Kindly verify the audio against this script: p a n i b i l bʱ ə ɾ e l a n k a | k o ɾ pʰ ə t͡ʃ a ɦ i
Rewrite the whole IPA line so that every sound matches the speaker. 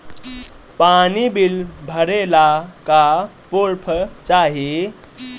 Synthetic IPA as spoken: p a n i b i l bʱ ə ɾ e l a k a | p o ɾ pʰ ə t͡ʃ a ɦ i